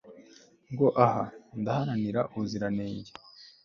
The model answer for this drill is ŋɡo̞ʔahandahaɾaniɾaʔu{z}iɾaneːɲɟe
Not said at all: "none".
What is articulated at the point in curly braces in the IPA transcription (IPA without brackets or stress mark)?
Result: z